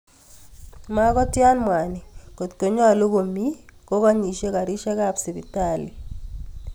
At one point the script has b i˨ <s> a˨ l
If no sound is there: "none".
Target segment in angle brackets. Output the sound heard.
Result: t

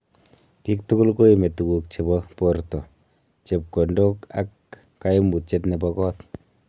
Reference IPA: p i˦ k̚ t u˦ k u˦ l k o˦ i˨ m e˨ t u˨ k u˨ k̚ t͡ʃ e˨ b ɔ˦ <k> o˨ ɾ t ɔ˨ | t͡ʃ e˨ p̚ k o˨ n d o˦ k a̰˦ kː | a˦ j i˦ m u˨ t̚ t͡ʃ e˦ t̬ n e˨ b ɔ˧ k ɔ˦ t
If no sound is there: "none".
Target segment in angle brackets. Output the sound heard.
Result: p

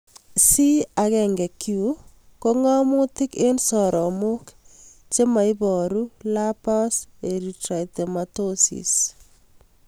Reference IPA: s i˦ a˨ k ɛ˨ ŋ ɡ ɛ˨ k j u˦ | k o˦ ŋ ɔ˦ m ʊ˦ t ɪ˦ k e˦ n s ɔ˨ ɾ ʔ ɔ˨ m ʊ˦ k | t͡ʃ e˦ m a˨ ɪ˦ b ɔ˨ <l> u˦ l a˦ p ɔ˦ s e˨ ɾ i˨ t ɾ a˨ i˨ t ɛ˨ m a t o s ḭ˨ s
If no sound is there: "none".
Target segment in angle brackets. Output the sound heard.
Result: ɾ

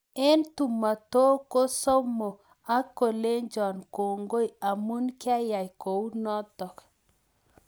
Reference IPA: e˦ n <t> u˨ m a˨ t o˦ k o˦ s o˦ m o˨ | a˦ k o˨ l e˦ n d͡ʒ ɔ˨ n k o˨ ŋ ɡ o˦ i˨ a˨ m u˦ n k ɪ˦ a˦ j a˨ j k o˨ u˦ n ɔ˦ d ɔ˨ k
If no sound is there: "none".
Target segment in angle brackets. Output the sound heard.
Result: t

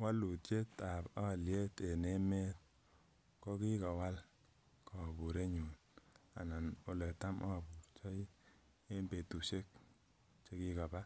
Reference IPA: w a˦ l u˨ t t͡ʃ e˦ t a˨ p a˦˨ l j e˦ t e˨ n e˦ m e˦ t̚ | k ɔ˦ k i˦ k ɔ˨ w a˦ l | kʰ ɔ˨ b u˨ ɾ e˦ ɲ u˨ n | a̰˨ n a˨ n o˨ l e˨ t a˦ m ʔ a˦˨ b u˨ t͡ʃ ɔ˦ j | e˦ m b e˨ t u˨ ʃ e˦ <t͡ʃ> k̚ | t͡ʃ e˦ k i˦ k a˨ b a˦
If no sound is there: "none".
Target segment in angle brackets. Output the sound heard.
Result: none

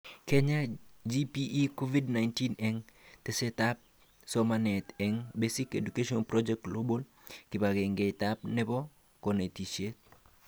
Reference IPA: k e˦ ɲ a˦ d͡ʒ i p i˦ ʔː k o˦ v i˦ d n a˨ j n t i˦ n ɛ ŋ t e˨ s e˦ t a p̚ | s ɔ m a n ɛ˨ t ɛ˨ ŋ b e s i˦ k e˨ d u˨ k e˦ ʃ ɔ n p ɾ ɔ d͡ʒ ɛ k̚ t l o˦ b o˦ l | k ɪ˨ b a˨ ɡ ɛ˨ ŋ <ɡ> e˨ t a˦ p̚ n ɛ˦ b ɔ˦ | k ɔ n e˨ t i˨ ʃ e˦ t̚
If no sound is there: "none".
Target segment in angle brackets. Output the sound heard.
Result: ɡ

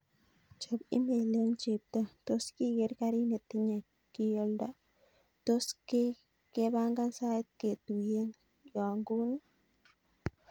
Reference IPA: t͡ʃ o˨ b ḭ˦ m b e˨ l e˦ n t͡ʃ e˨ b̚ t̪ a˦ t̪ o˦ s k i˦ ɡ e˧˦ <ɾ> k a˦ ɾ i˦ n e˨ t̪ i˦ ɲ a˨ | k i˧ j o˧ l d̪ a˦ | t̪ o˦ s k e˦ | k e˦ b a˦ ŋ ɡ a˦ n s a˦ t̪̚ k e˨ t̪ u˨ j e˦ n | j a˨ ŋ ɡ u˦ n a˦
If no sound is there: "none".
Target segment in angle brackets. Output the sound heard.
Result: ɾ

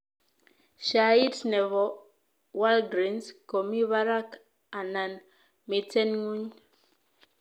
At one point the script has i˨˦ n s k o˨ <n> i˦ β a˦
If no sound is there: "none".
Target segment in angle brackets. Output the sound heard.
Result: m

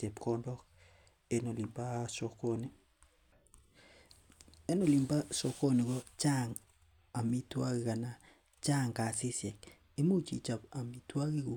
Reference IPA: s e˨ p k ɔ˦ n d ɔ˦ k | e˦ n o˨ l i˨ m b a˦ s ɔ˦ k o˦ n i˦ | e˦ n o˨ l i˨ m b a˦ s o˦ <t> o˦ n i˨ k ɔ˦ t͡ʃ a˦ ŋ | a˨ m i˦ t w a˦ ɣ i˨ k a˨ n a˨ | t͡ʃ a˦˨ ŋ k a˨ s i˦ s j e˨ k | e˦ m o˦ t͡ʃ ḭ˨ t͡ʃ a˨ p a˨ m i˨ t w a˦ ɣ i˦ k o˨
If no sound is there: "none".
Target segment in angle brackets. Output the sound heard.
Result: k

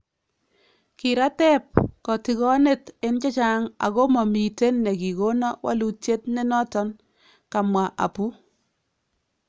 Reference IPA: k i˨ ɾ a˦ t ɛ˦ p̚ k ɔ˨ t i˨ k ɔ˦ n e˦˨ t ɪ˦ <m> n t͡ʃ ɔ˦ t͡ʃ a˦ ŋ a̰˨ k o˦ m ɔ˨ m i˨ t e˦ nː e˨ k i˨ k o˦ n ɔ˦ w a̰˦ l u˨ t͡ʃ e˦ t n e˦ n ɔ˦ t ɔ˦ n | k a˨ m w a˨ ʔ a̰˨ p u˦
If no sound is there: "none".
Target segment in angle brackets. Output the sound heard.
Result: none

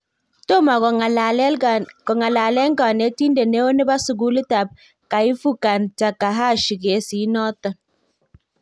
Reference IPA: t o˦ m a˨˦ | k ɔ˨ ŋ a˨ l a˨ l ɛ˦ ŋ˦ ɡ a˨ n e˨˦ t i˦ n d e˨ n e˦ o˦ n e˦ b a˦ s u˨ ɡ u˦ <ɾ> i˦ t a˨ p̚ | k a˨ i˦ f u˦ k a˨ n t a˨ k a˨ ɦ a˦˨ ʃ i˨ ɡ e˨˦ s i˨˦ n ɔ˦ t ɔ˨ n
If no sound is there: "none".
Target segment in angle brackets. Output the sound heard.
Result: l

